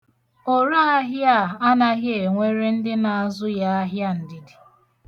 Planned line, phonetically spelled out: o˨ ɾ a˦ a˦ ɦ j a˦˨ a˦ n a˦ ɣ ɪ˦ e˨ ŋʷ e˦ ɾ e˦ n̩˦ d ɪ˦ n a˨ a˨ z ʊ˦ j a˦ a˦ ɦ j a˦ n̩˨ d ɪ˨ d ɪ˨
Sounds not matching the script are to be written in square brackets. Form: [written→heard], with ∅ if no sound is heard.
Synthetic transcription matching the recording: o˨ ɾ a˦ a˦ ɦ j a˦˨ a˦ n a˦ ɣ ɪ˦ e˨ ŋʷ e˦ ɾ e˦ n̩˦ d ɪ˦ n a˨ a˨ z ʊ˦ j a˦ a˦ ɦ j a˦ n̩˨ d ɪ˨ d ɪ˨

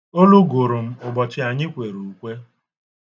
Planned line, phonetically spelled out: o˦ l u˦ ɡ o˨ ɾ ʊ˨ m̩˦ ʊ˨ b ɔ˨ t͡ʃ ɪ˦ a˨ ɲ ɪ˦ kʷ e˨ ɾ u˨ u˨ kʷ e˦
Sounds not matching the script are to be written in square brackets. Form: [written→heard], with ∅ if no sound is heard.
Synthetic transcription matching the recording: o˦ l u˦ ɡ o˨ ɾ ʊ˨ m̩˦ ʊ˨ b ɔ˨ t͡ʃ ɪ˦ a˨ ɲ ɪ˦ kʷ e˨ ɾ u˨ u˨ kʷ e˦

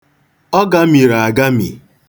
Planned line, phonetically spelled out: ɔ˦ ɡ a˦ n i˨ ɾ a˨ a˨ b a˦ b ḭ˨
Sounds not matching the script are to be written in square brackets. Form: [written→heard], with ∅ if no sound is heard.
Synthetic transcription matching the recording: ɔ˦ ɡ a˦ [n→m] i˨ ɾ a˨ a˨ [b→ɡ] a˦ [b→m] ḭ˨

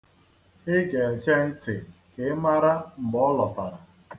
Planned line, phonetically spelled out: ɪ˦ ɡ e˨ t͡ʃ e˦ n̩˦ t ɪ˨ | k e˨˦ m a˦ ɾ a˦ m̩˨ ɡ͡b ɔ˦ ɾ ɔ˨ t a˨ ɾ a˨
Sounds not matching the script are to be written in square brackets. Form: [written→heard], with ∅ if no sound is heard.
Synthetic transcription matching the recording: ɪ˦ ɡ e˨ t͡ʃ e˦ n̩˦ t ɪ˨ | k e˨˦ m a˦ ɾ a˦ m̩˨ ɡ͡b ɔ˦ [ɾ→l] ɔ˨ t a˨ ɾ a˨

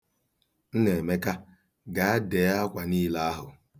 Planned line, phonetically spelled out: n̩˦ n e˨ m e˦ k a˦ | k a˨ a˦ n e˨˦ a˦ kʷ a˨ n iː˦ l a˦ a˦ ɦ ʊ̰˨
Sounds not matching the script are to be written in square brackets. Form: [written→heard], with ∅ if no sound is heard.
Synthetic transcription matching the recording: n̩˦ n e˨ m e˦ k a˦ | [k→ɡ] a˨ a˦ [n→d] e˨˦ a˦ kʷ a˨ n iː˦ l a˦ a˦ ɦ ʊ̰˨

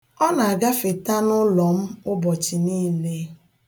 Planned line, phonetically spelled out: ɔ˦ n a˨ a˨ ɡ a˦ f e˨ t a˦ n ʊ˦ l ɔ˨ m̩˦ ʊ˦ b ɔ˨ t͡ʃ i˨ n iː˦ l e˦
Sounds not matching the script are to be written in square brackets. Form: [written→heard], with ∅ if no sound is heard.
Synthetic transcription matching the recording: ɔ˦ n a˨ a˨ ɡ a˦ f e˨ t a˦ n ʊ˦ l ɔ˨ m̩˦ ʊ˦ b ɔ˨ t͡ʃ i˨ n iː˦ l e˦

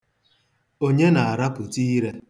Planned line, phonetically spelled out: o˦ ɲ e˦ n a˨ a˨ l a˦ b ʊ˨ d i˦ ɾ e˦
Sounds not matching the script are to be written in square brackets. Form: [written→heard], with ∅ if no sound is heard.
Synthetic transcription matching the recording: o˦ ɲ e˦ n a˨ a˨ [l→ɾ] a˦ [b→p] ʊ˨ [d→t] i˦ ɾ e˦

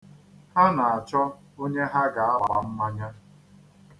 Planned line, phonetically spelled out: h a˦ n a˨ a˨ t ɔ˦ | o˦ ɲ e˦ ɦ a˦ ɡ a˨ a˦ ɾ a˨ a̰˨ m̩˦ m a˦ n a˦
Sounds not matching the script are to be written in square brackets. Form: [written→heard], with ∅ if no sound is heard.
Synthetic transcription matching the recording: h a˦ n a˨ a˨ [t→t͡ʃ] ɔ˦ | o˦ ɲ e˦ ɦ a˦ ɡ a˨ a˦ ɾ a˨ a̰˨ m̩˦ m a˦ [n→ɲ] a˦

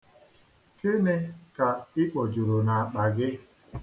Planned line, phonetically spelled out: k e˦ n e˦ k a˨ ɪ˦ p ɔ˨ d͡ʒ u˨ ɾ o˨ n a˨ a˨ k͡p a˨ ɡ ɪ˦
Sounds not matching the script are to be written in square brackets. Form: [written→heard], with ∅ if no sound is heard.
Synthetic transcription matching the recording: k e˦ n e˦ k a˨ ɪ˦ [p→k͡p] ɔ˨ d͡ʒ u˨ ɾ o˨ n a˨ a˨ k͡p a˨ ɡ ɪ˦

